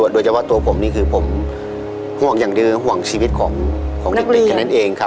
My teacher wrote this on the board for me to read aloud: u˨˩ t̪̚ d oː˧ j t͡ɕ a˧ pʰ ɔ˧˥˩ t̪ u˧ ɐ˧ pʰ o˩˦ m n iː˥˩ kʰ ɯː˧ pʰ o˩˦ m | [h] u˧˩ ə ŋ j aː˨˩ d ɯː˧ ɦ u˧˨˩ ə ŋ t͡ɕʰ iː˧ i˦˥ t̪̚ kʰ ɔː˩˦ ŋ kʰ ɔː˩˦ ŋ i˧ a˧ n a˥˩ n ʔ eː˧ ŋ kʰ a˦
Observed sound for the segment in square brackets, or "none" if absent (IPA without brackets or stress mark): h